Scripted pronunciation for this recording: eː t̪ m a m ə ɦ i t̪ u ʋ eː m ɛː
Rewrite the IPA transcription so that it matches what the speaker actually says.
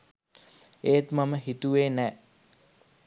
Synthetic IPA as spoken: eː t̪ m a m ə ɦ i t̪ u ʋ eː n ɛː

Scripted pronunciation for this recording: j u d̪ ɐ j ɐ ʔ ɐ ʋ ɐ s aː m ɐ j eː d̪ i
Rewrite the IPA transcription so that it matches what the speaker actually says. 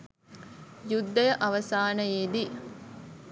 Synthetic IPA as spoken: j u d̪ː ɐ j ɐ ʔ ɐ ʋ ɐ s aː n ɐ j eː d̪ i

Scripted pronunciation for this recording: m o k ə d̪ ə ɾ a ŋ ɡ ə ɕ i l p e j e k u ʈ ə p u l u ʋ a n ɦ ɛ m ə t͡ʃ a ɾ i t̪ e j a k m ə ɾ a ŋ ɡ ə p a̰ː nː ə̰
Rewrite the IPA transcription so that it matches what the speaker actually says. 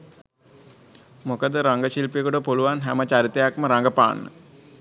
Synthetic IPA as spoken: m o k ə d̪ ə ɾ a ŋ ɡ ə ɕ i l p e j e k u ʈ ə p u l u ʋ a n ɦ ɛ m ə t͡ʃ a ɾ i t̪ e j a k m ə ɾ a ŋ ɡ ə p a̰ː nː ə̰

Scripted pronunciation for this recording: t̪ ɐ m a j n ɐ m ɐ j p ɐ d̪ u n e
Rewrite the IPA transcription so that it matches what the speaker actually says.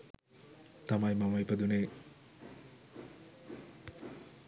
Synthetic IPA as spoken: t̪ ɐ m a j m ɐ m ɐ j p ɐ d̪ u n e

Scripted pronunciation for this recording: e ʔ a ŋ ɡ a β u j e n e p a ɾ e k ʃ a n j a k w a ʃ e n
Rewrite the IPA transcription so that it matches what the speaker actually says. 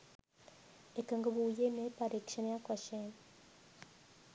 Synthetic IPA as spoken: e k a ŋ ɡ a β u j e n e p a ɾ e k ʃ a n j a k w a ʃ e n

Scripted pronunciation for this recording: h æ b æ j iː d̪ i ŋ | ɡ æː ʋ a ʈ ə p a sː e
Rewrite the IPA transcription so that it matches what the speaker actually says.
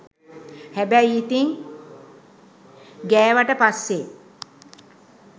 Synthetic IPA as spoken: h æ b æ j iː t̪ i ŋ | ɡ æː ʋ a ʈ ə p a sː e

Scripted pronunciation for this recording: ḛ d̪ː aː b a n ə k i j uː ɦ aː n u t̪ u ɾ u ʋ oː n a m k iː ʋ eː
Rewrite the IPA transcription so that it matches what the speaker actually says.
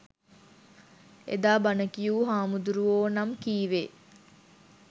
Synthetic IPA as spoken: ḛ d̪ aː b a n ə k i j uː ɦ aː m u d̪ u ɾ u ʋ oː n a m k iː ʋ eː

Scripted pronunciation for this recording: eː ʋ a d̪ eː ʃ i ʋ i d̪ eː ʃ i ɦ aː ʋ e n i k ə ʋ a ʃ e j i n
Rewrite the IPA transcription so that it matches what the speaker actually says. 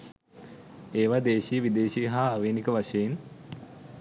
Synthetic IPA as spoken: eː ʋ a d̪ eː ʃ i ʋ i d̪ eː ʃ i ɦ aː ʋ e n i k ə ʋ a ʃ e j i n

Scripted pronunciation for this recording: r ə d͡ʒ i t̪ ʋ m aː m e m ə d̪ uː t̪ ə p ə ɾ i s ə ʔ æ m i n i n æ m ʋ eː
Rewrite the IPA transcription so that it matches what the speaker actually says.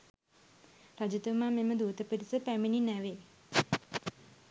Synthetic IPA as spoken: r a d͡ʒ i t̪ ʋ m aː m e m ə d̪ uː t̪ ə p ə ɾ i s ə p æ m i n i n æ ʋ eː

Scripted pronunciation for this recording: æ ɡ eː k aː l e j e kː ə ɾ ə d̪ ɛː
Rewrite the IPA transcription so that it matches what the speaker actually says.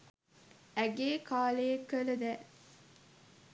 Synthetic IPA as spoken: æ ɡ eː k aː l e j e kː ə l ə d̪ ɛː

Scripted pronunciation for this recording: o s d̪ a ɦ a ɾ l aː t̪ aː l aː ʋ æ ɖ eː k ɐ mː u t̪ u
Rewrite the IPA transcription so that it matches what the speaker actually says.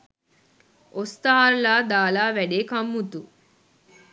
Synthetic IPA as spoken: o s t̪ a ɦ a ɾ l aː d̪ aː l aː ʋ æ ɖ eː k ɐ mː u t̪ u

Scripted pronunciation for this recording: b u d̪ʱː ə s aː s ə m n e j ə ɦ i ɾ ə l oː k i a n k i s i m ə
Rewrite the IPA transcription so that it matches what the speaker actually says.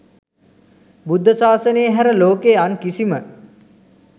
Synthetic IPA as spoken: b u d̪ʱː ə s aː s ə n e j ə ɦ æ ɾ ə l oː k e a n k i s i m ə

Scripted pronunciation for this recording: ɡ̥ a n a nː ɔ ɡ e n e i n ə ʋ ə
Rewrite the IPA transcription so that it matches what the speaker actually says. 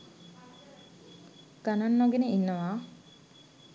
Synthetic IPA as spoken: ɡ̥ a n a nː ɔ ɡ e n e i nː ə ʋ a

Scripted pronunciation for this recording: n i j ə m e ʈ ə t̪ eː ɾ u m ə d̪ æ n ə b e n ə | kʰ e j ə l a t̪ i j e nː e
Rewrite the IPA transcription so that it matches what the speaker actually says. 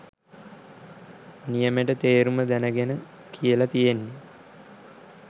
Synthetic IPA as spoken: n i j ə m e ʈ ə t̪ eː ɾ u m ə d̪ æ n ə ɡ e n ə | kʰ i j ə l a t̪ i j e nː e

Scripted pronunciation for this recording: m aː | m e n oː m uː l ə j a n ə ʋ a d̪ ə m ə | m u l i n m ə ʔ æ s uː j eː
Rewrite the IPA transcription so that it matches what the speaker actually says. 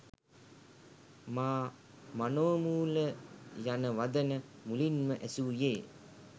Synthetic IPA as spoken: m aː | m a n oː m uː l ə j a n ə ʋ a d̪ ə n ə | m u l i n m ə ʔ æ s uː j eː

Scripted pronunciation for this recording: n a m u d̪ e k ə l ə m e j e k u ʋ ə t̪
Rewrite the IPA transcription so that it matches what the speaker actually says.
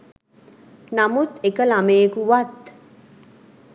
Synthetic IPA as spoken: n a m u t̪ e k ə l a m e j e k u ʋ a t̪

